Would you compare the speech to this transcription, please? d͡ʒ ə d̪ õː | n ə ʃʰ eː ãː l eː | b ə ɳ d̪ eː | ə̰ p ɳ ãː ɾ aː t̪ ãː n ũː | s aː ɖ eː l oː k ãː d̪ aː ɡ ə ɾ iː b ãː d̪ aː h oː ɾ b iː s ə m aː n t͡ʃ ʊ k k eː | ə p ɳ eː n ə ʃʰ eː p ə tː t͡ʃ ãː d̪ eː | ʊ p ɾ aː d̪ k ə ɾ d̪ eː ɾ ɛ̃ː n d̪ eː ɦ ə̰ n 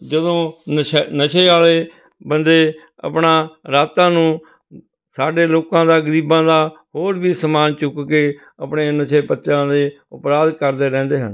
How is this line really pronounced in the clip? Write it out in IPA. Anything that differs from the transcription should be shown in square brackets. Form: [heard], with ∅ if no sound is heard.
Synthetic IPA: d͡ʒ ə d̪ õː | n ə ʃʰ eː [aː] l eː | b ə [n] d̪ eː | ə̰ p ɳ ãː ɾ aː t̪ ãː n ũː | s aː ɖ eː l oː k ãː d̪ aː ɡ ə ɾ iː b ãː d̪ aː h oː ɾ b iː s ə m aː n t͡ʃ ʊ k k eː | ə p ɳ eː n ə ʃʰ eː p ə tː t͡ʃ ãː d̪ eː | ʊ p ɾ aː d̪ k ə ɾ d̪ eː ɾ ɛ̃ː n d̪ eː ɦ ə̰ n

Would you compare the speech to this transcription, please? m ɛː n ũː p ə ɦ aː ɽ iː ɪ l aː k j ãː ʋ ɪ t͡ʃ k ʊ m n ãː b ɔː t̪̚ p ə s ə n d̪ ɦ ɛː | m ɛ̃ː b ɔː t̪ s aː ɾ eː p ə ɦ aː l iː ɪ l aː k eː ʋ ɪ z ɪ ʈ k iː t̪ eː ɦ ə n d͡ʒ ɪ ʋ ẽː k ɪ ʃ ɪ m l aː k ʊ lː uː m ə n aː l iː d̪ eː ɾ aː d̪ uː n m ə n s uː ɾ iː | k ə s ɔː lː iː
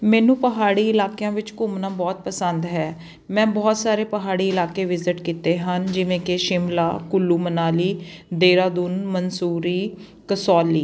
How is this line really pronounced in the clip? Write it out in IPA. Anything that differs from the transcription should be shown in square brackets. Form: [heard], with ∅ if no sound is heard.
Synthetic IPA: m ɛː n ũː p ə ɦ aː ɽ iː ɪ l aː k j ãː ʋ ɪ t͡ʃ k ʊ m n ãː b ɔː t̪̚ p ə s ə n d̪ ɦ ɛː | m ɛ̃ː b ɔː t̪ s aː ɾ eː p ə ɦ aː [ɽ] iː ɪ l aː k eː ʋ ɪ z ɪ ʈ k iː t̪ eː ɦ ə n d͡ʒ ɪ ʋ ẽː k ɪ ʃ ɪ m l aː k ʊ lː uː m ə n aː l iː d̪ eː ɾ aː d̪ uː n m ə n s uː ɾ iː | k ə s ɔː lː iː

